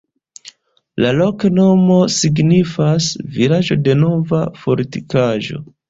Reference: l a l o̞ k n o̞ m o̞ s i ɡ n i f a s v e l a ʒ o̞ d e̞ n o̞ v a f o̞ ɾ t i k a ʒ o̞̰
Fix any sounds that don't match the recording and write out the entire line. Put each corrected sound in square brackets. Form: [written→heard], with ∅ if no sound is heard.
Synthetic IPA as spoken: l a l o̞ k n o̞ m o̞ s i ɡ n i f a s v [e→i] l a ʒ o̞ d e̞ n o̞ v a f o̞ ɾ t i k a ʒ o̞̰